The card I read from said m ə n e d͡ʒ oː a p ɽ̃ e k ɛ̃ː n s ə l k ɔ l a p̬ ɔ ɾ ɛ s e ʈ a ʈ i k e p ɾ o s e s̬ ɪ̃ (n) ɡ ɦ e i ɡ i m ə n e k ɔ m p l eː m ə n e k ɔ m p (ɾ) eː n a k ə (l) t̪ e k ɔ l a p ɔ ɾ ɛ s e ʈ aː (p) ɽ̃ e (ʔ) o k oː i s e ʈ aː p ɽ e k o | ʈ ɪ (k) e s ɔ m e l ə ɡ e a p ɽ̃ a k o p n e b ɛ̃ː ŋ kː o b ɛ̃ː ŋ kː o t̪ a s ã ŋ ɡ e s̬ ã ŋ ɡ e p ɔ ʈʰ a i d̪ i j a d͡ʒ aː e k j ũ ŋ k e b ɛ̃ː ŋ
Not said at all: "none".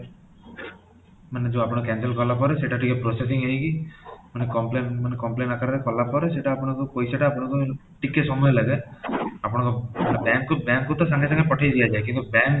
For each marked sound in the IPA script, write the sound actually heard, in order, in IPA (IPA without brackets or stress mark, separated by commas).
ŋ, l, ɾ, p, k, k